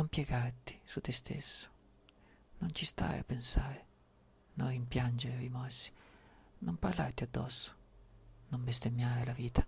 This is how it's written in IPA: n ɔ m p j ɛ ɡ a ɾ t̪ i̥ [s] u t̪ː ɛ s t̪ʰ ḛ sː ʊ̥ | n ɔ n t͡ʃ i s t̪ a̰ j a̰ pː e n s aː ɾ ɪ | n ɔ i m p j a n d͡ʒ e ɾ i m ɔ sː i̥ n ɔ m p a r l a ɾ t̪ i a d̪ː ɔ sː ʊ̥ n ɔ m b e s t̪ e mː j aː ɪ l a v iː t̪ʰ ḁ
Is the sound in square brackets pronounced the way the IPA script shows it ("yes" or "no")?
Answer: yes